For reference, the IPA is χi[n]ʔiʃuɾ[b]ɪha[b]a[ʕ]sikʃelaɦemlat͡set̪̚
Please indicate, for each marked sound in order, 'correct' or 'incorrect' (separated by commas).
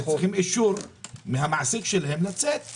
incorrect, incorrect, incorrect, correct